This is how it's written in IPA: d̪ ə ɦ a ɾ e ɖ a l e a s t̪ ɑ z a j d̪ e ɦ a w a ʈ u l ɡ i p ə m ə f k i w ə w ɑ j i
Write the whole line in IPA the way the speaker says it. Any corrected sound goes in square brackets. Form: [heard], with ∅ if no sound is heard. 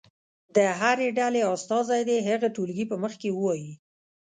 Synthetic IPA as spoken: d̪ ə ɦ a ɾ e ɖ a l e [ɑ] s t̪ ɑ z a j d̪ e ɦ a [ɣ] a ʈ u l ɡ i p ə m ə [x] k [e] w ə w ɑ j i